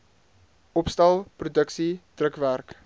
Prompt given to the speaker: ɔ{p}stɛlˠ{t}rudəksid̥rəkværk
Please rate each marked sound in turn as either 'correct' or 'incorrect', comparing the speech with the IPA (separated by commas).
correct, incorrect